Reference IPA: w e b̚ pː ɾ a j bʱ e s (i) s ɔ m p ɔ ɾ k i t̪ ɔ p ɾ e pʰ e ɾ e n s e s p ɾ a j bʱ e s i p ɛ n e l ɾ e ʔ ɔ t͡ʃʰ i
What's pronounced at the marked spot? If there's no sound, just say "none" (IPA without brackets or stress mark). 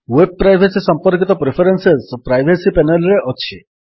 i